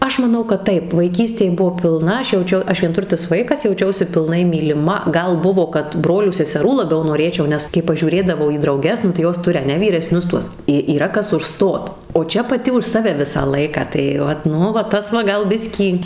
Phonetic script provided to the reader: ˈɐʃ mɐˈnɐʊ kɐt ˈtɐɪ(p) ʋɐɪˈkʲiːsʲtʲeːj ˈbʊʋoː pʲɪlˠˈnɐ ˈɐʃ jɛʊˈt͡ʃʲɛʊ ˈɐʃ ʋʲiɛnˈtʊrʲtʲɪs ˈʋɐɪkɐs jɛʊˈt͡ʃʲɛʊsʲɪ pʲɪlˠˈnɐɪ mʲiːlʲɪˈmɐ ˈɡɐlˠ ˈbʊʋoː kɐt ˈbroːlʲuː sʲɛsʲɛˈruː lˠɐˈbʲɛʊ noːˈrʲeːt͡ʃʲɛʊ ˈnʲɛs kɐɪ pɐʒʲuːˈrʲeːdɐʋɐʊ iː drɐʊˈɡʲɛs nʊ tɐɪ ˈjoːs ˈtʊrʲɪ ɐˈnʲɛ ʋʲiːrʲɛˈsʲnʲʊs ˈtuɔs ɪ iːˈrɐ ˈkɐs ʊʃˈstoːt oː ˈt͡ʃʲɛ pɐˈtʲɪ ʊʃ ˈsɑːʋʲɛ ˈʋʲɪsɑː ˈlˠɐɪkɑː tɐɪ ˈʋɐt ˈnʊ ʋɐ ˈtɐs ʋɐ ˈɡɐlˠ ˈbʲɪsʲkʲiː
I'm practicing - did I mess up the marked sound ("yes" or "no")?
no